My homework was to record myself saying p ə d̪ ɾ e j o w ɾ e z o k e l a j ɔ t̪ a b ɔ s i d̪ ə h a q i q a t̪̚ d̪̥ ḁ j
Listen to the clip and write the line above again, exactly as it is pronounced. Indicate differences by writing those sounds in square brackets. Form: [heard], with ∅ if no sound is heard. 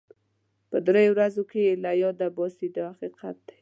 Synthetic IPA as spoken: p ə d̪ ɾ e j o w ɾ [a] z o k e l a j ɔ [d̪] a b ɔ s i d̪ ə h a q i q a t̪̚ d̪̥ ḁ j